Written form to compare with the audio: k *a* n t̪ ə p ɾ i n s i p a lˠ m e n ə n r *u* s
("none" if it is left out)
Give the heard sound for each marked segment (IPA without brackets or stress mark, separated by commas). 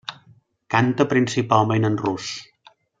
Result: a, u